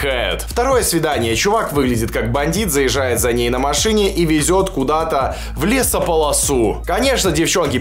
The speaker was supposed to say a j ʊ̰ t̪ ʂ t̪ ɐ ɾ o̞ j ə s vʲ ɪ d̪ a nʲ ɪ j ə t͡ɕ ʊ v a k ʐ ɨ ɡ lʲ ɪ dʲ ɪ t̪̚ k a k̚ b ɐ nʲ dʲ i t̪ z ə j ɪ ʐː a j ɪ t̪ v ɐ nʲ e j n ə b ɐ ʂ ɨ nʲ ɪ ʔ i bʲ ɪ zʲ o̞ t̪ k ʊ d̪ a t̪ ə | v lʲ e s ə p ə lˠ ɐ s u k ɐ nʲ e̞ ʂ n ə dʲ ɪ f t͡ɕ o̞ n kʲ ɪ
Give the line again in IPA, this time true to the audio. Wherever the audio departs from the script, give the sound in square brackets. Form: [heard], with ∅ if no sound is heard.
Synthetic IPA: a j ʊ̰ t̪ [f] t̪ ɐ ɾ o̞ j ə s vʲ ɪ d̪ a nʲ ɪ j ə t͡ɕ ʊ v a k [v] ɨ ɡ lʲ ɪ dʲ ɪ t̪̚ k a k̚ b ɐ nʲ dʲ i t̪ z ə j ɪ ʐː a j ɪ t̪ [z] ɐ nʲ e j n ə [m] ɐ ʂ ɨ nʲ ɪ ʔ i [vʲ] ɪ zʲ o̞ t̪ k ʊ d̪ a t̪ ə | v lʲ e s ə p ə lˠ ɐ s u k ɐ nʲ e̞ ʂ n ə dʲ ɪ f t͡ɕ o̞ n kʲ ɪ

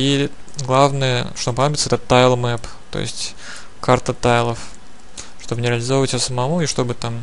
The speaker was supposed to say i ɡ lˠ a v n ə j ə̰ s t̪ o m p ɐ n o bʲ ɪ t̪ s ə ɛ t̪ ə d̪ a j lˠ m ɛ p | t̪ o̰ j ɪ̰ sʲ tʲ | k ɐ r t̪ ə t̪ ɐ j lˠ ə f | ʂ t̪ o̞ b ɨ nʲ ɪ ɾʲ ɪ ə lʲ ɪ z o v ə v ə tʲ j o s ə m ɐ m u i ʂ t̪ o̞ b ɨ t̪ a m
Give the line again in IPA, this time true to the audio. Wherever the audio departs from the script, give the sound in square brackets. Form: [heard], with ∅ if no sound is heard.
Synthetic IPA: i ɡ lˠ a v n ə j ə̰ [ʂ] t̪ o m p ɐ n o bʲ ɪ t̪ s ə ɛ t̪ ə [t̪] a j lˠ m ɛ p | t̪ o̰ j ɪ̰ sʲ tʲ | k [a] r t̪ ə t̪ [a] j lˠ ə f | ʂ t̪ o̞ b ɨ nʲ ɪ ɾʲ ɪ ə lʲ ɪ z o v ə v ə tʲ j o s ə m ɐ m u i ʂ t̪ o̞ b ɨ t̪ a m

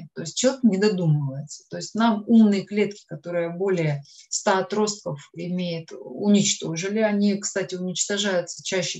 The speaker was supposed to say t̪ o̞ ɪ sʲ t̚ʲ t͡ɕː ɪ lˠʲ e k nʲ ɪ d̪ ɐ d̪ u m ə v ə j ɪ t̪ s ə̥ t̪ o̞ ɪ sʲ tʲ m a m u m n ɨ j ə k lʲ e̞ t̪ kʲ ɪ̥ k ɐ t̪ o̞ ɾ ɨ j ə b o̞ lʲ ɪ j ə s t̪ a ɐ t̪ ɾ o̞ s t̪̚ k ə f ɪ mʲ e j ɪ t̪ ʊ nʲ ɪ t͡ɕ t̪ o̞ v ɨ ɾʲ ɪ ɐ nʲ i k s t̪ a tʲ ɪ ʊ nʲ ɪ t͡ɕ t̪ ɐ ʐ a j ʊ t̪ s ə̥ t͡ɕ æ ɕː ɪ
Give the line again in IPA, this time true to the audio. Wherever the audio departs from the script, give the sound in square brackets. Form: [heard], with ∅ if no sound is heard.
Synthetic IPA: t̪ o̞ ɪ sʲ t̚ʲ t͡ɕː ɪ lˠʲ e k nʲ ɪ d̪ ɐ d̪ u m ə v ə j ɪ t̪ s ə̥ t̪ o̞ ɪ sʲ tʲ [n] a m u m n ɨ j ə k lʲ e̞ t̪ kʲ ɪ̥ k ɐ t̪ o̞ ɾ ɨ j ə b o̞ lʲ ɪ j ə s t̪ a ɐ t̪ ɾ o̞ s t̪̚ k ə f ɪ mʲ e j ɪ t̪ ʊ nʲ ɪ t͡ɕ t̪ o̞ [ʐ] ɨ [lʲ] ɪ ɐ nʲ i k s t̪ a tʲ ɪ ʊ nʲ ɪ t͡ɕ t̪ ɐ ʐ a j ʊ t̪ s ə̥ t͡ɕ æ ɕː ɪ

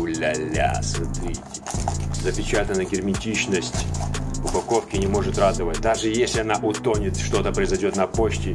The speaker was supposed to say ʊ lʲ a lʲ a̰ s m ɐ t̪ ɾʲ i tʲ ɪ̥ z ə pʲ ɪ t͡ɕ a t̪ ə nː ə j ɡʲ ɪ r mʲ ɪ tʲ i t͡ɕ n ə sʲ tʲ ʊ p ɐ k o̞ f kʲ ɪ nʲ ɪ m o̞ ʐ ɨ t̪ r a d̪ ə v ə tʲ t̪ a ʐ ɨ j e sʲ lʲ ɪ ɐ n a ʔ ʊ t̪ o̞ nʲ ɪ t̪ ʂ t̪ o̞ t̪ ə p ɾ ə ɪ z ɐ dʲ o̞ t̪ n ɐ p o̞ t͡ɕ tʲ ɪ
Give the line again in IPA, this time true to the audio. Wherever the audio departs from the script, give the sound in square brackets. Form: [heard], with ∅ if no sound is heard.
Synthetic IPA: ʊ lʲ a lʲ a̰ s m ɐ t̪ ɾʲ i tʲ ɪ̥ z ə pʲ ɪ t͡ɕ a t̪ ə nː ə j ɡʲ ɪ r mʲ ɪ tʲ i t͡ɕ n ə sʲ tʲ ʊ p ɐ k o̞ f kʲ ɪ nʲ ɪ m o̞ ʐ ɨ t̪ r a d̪ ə v ə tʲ [d̪] a ʐ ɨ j e sʲ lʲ ɪ ɐ n a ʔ ʊ t̪ o̞ nʲ ɪ t̪ ʂ t̪ o̞ t̪ ə p ɾ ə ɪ z ɐ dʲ o̞ t̪ n ɐ p o̞ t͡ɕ tʲ ɪ

